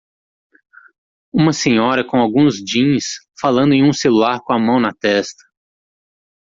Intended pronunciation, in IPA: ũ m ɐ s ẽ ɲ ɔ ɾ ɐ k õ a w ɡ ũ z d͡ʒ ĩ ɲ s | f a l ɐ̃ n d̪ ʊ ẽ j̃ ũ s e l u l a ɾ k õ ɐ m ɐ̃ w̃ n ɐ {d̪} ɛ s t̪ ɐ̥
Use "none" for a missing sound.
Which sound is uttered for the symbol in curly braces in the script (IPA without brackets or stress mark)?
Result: t̪